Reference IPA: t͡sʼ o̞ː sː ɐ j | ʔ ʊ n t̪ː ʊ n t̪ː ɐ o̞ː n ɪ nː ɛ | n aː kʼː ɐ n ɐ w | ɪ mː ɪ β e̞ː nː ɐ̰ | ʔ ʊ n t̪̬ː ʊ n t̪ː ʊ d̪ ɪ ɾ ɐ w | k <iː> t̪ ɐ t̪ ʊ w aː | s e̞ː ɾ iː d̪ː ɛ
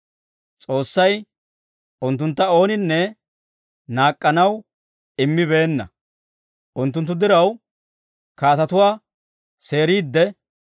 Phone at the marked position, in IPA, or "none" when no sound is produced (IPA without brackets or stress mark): aː